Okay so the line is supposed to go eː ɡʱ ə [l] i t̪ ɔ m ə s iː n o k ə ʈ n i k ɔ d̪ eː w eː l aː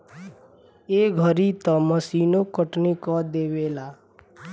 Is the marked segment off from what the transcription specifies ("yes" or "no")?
yes